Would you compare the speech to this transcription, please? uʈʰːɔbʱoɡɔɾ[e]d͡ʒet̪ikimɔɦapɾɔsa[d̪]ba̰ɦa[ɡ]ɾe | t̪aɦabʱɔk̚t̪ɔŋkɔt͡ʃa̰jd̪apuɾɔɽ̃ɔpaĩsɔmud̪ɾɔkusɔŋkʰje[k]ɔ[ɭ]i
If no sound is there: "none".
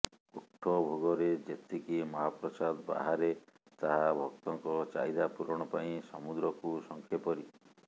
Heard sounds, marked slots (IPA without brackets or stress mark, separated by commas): e, d̪, none, p, ɾ